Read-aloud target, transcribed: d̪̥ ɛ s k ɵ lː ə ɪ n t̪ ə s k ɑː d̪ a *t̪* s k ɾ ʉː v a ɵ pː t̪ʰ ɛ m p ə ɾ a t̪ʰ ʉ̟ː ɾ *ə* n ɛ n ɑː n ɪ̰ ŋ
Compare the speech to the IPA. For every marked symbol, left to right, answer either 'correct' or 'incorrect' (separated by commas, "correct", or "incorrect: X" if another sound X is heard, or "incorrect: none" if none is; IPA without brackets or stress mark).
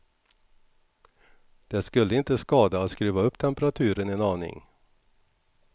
correct, correct